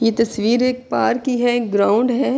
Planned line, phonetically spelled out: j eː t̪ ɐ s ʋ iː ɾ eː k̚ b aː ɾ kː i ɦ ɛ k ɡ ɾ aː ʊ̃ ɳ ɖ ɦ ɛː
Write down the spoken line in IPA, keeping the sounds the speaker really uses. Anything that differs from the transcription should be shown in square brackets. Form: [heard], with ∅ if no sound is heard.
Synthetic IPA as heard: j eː t̪ ɐ s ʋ iː ɾ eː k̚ [p] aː ɾ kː i ɦ ɛ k ɡ ɾ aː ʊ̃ ɳ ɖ ɦ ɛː